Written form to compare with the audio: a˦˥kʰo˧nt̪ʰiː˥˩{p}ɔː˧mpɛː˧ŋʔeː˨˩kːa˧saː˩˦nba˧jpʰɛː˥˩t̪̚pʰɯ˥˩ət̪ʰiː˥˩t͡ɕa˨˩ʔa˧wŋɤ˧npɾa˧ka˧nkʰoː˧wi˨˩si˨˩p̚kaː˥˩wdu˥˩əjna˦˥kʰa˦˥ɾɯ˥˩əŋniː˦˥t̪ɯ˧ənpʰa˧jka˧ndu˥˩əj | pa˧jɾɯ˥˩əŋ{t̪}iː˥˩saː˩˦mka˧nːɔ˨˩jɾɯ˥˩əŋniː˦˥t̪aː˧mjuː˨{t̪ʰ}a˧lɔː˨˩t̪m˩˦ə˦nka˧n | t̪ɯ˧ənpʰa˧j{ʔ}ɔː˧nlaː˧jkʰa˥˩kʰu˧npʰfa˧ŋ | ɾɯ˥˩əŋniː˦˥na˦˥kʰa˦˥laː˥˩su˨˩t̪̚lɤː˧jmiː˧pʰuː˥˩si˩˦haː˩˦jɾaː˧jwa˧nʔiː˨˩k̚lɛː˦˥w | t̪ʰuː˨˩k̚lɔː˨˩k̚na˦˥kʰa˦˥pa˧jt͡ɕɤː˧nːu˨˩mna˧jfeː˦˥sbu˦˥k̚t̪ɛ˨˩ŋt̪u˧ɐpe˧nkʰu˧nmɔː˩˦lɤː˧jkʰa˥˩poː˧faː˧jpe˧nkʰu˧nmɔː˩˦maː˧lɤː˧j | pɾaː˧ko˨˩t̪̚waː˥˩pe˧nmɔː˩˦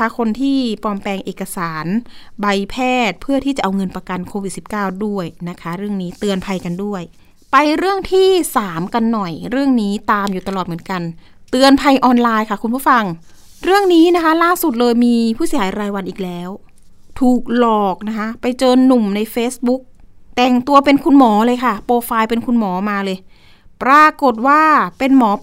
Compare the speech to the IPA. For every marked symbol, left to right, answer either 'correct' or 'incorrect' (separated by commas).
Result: correct, incorrect, incorrect, correct